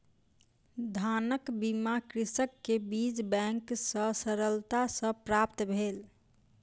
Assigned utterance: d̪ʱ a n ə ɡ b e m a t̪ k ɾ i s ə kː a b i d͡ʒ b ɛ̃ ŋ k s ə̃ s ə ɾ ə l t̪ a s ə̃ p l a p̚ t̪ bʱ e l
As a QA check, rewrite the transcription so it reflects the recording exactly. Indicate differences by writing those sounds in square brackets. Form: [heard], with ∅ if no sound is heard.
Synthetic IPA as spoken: d̪ʱ a n ə [k] b [i] m a [∅] k ɾ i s ə kː [e] b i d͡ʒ b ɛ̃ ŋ k s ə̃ s ə ɾ ə l t̪ a s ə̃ p [ɾ] a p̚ t̪ bʱ e l